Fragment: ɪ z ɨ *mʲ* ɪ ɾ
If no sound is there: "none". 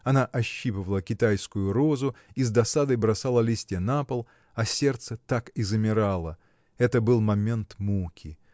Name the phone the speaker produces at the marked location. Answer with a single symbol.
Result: mʲ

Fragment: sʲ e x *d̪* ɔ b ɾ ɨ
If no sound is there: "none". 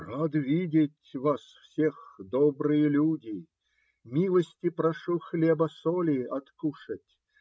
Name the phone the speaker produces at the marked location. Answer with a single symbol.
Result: d̪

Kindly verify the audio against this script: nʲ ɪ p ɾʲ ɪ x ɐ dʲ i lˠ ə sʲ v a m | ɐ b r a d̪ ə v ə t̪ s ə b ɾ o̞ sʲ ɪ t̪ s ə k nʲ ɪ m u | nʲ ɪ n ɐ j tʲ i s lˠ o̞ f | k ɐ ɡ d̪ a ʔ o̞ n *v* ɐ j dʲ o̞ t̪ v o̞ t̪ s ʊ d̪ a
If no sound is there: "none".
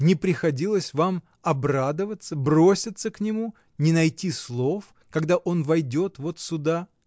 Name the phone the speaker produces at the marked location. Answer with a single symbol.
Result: v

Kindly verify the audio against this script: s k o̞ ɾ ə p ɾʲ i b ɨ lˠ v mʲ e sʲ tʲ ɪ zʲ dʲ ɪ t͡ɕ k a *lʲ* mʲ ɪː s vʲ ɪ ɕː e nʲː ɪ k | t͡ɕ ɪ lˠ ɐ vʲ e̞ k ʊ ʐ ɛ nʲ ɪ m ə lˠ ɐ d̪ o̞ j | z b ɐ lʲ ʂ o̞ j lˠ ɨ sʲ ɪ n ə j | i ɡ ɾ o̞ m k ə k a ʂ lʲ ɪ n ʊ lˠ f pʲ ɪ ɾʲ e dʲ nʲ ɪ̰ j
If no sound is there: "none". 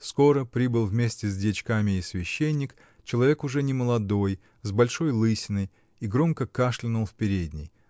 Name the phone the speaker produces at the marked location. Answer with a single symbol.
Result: none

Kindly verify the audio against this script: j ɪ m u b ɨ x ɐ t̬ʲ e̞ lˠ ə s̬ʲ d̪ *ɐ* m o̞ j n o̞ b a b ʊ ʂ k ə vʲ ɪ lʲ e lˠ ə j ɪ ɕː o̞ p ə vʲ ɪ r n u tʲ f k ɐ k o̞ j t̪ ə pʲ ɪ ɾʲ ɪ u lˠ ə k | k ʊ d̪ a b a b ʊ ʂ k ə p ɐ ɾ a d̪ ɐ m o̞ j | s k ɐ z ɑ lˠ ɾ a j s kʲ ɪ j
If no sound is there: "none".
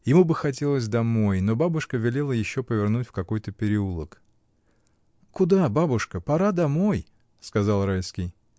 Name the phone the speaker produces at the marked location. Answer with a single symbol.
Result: ɐ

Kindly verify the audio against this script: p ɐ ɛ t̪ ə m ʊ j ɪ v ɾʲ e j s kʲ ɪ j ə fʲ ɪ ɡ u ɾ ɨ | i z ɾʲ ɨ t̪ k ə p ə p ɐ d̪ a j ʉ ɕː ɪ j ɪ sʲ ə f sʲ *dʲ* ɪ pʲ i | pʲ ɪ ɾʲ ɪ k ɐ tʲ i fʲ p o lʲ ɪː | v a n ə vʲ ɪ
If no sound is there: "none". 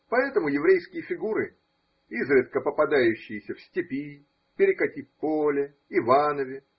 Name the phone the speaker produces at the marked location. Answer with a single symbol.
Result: tʲ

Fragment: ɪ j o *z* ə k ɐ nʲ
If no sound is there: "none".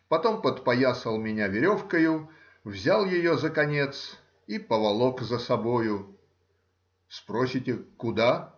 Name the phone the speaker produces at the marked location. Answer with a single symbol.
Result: z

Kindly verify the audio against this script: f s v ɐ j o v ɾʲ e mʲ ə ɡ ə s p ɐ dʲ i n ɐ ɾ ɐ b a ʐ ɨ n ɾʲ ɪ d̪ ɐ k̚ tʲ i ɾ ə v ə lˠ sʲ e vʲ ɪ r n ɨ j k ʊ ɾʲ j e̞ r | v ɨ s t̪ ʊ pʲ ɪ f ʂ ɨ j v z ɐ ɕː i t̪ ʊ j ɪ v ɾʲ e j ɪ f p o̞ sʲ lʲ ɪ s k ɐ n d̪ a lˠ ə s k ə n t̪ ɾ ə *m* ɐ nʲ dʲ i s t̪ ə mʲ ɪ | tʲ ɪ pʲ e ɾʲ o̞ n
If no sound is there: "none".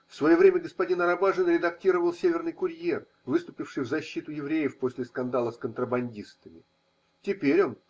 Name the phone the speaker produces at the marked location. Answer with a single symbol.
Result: b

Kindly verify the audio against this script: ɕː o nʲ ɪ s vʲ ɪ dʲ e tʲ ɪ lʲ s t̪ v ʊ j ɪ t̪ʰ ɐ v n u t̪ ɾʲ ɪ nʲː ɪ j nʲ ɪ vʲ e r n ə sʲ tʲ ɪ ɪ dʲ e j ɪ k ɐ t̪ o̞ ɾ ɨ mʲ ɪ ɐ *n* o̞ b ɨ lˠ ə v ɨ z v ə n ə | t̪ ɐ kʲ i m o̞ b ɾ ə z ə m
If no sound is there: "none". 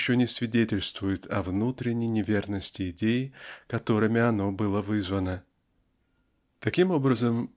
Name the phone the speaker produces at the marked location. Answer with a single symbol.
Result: n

